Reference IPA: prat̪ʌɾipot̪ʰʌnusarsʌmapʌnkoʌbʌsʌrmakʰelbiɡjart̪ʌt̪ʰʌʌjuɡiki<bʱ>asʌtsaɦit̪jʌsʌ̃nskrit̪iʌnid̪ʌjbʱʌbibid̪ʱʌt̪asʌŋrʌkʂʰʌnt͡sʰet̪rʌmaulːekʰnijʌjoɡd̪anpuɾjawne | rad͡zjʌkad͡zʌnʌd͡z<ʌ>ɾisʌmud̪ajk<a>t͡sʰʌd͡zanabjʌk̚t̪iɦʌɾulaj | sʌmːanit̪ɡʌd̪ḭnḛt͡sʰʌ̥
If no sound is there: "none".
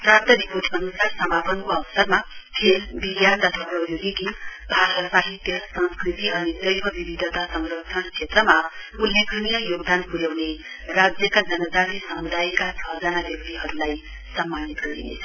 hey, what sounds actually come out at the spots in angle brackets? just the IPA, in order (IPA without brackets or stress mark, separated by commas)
bʱ, a, a